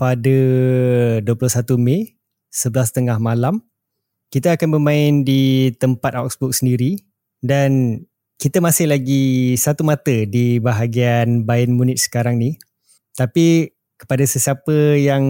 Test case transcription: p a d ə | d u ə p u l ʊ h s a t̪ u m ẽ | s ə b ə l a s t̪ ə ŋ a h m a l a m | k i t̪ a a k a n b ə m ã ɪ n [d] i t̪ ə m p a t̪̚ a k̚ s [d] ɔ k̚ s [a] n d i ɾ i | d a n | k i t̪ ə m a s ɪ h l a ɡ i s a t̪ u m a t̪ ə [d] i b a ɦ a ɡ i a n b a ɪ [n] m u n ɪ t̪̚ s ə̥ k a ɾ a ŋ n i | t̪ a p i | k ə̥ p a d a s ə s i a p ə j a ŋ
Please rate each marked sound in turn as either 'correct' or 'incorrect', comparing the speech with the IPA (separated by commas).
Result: correct, incorrect, incorrect, correct, correct